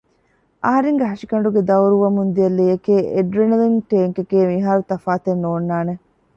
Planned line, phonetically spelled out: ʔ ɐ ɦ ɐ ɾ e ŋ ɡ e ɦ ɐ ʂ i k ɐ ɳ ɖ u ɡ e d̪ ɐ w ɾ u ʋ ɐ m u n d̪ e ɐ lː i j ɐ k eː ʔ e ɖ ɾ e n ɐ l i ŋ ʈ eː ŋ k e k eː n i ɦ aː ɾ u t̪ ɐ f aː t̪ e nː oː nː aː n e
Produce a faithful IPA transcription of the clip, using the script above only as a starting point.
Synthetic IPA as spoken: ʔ ɐ ɦ ɐ ɾ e ŋ ɡ e ɦ ɐ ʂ i k ɐ ɳ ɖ u ɡ e d̪ ɐ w ɾ u ʋ ɐ m u n d̪ i ɐ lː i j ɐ k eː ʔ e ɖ ɾ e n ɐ l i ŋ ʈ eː ŋ k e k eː m i ɦ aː ɾ u t̪ ɐ f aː t̪ e nː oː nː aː n e